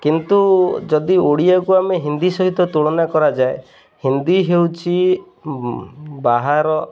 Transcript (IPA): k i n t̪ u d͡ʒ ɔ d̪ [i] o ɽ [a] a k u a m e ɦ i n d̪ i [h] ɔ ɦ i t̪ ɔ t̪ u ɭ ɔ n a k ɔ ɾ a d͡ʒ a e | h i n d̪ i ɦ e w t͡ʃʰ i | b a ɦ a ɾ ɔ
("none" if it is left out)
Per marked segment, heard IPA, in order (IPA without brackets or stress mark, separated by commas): i, i, s